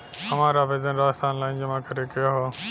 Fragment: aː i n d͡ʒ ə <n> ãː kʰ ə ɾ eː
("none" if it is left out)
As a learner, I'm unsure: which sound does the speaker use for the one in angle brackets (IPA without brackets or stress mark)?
m